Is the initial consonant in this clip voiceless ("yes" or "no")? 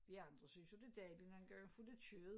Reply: no